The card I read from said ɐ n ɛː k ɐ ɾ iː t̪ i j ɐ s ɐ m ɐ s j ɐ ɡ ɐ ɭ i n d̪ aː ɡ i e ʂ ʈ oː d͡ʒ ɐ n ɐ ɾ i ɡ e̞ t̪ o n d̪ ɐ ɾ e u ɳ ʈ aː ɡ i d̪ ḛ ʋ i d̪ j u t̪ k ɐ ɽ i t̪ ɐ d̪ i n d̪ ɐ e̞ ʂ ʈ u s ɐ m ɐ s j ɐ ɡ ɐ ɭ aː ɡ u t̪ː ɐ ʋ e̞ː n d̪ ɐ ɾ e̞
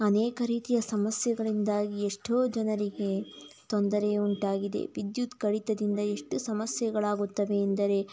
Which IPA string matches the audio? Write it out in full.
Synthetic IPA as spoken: ɐ n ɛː k ɐ ɾ iː t̪ i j ɐ s ɐ m ɐ s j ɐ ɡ ɐ ɭ i n d̪ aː ɡ i e ʂ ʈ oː d͡ʒ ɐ n ɐ ɾ i ɡ e̞ t̪ o n d̪ ɐ ɾ e u ɳ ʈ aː ɡ i d̪ ḛ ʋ i d̪ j u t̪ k ɐ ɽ i t̪ ɐ d̪ i n d̪ ɐ e̞ ʂ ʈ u s ɐ m ɐ s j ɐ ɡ ɐ ɭ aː ɡ u t̪ː ɐ ʋ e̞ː n d̪ ɐ ɾ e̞